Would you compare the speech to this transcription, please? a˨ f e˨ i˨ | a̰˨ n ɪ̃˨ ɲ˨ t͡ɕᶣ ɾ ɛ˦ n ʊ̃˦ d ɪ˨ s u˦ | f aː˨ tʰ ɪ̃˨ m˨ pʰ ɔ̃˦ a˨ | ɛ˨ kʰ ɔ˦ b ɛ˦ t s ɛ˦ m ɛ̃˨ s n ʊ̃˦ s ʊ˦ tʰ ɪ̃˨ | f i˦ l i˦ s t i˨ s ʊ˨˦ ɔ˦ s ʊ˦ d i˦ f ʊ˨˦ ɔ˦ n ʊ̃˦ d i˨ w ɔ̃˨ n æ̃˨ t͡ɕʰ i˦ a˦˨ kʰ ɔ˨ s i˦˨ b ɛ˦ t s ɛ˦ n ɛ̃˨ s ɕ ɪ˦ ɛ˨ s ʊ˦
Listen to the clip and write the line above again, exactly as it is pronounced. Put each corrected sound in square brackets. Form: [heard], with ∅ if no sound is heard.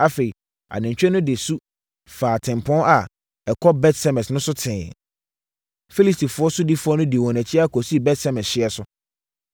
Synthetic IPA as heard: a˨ f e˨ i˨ | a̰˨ n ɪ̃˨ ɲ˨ t͡ɕᶣ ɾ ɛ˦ n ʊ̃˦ d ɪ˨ s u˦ | f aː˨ tʰ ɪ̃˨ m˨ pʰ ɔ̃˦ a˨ | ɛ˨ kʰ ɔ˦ b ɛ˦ t s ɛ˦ m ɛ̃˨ s n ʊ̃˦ s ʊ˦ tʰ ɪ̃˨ | f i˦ l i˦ s t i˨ [f] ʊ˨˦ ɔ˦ s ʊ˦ d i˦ f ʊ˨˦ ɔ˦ n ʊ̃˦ d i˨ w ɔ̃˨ n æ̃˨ t͡ɕʰ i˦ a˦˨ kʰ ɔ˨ s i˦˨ b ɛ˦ t s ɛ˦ [m] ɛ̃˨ s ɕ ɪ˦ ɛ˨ s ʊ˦